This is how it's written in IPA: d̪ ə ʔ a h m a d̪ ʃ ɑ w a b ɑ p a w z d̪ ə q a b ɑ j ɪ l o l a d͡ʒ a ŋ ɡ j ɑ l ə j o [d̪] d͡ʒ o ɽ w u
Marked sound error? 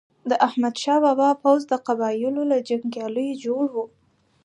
yes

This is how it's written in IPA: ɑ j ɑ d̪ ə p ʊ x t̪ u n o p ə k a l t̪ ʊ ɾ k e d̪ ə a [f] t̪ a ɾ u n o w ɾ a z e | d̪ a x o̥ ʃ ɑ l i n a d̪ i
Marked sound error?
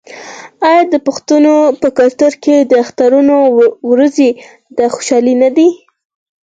yes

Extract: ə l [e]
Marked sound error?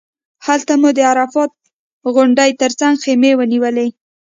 no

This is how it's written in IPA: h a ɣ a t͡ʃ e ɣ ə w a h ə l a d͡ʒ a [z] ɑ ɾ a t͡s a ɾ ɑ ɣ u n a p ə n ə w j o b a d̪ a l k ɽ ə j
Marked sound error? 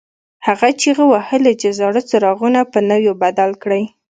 no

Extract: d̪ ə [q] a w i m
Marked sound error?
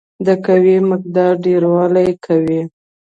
yes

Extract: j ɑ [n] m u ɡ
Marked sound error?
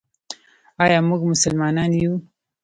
yes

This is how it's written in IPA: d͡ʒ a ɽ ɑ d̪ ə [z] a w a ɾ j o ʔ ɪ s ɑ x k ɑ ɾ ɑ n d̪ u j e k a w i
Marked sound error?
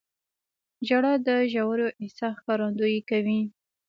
yes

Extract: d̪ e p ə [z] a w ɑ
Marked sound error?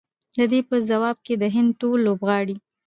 no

